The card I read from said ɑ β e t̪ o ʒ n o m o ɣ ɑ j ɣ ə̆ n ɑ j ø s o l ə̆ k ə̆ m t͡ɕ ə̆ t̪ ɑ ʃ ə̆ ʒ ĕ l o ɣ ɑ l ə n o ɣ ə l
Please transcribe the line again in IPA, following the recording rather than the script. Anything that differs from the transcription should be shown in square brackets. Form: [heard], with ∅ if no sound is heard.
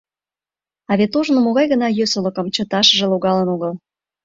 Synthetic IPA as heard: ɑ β e t̪ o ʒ n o m o ɣ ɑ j ɣ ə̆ n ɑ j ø s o l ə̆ k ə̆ m t͡ɕ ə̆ t̪ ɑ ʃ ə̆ ʒ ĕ l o ɣ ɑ l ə n o ɣ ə l

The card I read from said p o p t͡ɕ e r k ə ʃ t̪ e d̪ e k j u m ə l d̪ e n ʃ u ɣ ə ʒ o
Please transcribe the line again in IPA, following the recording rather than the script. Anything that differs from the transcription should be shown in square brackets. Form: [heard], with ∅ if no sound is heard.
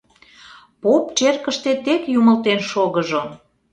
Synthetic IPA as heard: p o p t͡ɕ e r k ə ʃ t̪ e [t̪] e k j u m ə l [t̪] e n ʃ [o] ɣ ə ʒ o

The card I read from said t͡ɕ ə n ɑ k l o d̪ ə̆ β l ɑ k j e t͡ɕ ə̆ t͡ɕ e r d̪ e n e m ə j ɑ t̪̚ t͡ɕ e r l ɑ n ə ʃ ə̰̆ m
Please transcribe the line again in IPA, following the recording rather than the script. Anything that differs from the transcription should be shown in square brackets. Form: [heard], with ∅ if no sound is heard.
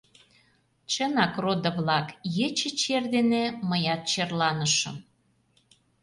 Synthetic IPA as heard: t͡ɕ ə n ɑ k [r] o d̪ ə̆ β l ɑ k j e t͡ɕ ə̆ t͡ɕ e r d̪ e n e m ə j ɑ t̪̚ t͡ɕ e r l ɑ n ə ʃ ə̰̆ m

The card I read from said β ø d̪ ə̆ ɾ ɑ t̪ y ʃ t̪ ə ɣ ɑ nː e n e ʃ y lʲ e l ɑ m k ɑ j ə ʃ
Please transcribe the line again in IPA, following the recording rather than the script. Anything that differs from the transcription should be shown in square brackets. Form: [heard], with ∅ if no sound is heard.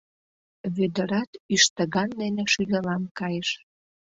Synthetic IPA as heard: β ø d̪ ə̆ ɾ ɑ t̪ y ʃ t̪ ə ɣ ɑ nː e n e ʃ y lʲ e l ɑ m k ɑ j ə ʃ

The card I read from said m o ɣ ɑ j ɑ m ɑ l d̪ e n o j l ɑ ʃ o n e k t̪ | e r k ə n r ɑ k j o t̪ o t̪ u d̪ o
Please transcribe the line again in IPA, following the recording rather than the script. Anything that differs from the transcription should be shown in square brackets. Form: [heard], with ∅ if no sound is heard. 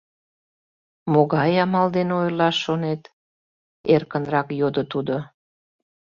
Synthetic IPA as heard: m o ɣ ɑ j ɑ m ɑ l d̪ e n o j l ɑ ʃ o n e [∅] t̪ | e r k ə n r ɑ k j o [d̪] o t̪ u d̪ o

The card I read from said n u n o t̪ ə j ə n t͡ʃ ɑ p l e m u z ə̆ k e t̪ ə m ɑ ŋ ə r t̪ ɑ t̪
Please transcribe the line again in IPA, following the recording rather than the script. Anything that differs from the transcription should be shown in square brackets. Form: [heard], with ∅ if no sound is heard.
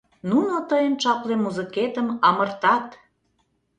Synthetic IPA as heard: n u n o t̪ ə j ə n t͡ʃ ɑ p l e m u z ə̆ k e t̪ ə m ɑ [m] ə r t̪ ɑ t̪

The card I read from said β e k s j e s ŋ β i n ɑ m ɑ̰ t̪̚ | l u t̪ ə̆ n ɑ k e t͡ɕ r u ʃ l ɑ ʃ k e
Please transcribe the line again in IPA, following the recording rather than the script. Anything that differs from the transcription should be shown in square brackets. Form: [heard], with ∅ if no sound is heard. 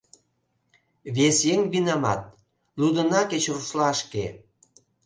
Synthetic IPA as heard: β e [∅] s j e [∅] ŋ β i n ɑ m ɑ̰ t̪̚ | l u [d̪] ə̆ n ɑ k e t͡ɕ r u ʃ l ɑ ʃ k e

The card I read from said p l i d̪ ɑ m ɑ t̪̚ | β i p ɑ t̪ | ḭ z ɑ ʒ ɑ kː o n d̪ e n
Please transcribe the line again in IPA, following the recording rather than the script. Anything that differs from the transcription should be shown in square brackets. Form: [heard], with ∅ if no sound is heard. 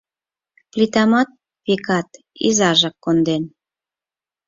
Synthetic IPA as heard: p l i [t̪] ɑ m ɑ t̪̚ | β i [k] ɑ t̪ | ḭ z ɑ ʒ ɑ kː o n d̪ e n

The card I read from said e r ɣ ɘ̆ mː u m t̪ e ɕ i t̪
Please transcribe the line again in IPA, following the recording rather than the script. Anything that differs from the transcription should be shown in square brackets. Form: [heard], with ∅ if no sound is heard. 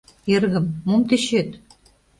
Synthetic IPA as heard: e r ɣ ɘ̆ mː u m t̪ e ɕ [e] t̪

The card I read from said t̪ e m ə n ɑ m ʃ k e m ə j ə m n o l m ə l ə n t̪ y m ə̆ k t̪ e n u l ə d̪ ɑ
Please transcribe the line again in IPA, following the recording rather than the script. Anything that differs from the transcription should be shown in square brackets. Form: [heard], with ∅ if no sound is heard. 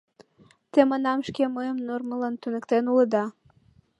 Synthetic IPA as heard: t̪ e m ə n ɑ m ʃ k e m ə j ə m n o [r] m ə l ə n t̪ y [n] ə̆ k t̪ e n u l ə d̪ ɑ

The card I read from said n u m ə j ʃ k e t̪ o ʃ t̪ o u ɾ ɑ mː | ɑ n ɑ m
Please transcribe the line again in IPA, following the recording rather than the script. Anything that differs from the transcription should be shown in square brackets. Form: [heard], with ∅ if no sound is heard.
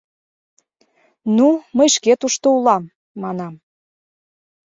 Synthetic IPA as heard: n u m ə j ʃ k e t̪ [u] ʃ t̪ o u [l] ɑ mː | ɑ n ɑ m

